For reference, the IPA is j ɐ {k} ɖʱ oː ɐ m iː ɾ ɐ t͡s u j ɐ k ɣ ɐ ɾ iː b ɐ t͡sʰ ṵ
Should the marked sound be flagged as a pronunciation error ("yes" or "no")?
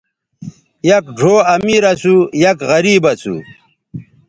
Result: no